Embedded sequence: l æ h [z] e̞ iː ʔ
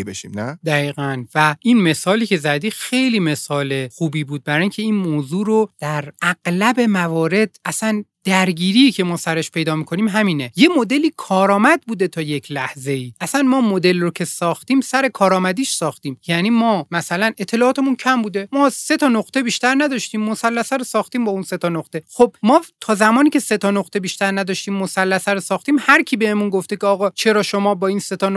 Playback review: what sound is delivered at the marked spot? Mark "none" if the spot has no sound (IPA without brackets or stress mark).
z